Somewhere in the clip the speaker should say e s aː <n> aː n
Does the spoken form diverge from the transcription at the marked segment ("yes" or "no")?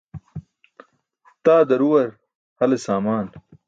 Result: yes